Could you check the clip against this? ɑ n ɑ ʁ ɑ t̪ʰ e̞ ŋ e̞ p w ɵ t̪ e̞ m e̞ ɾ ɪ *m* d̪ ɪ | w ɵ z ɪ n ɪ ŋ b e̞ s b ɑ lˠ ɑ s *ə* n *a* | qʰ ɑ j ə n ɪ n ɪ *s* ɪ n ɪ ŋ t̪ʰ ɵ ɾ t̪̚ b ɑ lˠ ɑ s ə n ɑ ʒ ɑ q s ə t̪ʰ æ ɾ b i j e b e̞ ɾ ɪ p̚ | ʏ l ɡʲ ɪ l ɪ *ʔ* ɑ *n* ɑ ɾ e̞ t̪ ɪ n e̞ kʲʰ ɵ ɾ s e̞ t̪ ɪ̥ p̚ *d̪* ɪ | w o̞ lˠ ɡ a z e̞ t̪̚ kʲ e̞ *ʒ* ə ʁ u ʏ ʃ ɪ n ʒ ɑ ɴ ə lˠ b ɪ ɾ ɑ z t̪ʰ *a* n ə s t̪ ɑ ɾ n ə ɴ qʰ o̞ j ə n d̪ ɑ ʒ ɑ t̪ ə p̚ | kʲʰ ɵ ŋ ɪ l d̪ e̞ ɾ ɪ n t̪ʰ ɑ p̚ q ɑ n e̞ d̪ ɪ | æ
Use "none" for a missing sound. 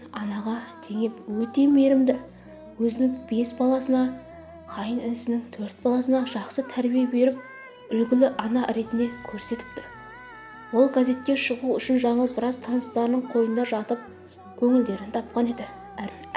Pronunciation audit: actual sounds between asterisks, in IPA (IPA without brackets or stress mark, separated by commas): m, ə, ɑ, s, ʔ, n, t̪, ʃ, ɑ